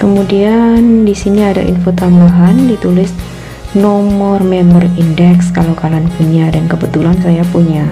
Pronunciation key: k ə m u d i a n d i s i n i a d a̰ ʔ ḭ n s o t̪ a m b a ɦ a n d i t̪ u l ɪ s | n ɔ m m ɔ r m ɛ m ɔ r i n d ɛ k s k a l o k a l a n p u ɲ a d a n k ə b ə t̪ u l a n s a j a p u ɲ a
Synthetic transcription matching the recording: k ə m u d i a n d i s i n i a d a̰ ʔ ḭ n f o t̪ a m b a ɦ a n d i t̪ u l ɪ s | n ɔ m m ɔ r m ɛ m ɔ r i n d ɛ k s k a l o k a l a n p u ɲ a d a n k ə b ə t̪ u l a n s a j a p u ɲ a